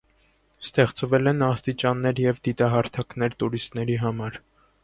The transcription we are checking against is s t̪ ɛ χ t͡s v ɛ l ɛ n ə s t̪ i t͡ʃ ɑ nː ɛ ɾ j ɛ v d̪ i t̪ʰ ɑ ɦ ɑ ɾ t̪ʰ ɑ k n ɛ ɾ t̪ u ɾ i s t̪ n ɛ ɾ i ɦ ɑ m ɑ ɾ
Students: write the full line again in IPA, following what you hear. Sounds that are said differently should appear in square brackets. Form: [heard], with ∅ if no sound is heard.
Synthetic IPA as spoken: s t̪ ɛ χ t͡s v ɛ l ɛ n [ɑ] s t̪ i t͡ʃ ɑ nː ɛ ɾ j ɛ v d̪ i [t̪] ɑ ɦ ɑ ɾ t̪ʰ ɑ k n ɛ ɾ t̪ u ɾ i s t̪ n ɛ ɾ i ɦ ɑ m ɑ ɾ